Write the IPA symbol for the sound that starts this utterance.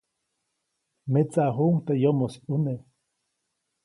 m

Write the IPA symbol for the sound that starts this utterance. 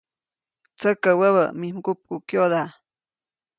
t͡s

